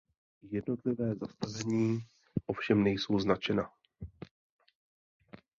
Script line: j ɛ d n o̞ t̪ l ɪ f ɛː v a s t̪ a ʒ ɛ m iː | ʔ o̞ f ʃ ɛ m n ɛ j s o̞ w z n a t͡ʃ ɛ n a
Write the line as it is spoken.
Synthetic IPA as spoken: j ɛ d n o̞ t̪ l ɪ v ɛː z a s t̪ a v ɛ ɲ iː | ʔ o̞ f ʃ ɛ m n ɛ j s o̞ w z n a t͡ʃ ɛ n a